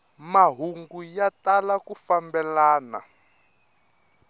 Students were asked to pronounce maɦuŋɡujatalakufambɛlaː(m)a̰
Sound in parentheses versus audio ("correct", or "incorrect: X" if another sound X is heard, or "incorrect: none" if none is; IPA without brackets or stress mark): incorrect: n